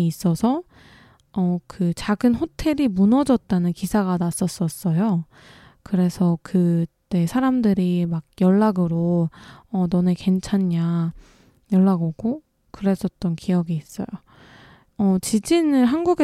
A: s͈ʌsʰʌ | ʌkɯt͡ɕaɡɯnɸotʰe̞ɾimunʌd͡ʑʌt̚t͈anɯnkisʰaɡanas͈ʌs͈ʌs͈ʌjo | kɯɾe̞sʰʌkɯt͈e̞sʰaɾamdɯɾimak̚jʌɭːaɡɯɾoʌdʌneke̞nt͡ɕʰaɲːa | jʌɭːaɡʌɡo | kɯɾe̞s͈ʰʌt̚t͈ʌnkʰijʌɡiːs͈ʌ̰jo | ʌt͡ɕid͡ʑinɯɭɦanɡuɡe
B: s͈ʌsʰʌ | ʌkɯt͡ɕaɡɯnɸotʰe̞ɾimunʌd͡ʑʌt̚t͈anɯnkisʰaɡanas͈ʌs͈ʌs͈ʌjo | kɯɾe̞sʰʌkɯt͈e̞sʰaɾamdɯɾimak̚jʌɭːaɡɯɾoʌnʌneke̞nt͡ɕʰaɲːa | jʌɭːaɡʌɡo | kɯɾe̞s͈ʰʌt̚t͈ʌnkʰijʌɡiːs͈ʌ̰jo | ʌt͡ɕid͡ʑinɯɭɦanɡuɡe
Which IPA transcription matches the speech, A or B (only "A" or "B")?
B